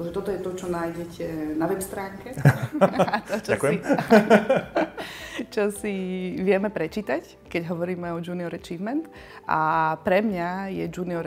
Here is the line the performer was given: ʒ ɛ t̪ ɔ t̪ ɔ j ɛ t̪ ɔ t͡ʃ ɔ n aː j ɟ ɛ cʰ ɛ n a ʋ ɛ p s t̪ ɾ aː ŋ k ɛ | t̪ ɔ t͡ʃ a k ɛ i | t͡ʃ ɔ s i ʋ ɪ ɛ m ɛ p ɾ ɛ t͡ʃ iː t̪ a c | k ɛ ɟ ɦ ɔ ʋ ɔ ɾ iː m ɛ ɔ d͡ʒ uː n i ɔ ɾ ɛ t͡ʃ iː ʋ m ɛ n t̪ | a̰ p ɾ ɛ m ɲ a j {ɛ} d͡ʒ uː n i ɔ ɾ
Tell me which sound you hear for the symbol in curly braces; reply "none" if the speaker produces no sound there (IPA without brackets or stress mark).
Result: ɛ